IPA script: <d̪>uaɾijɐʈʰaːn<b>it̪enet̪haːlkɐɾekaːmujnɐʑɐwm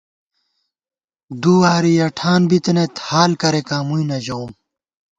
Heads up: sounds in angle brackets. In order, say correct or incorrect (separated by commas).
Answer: correct, correct